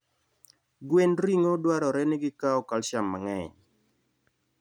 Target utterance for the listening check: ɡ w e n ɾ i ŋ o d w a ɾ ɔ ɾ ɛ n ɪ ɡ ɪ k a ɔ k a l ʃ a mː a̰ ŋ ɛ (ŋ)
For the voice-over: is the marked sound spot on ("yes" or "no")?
no